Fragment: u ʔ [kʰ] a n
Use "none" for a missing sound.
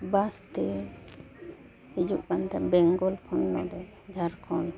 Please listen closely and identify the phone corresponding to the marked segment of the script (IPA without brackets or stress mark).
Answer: k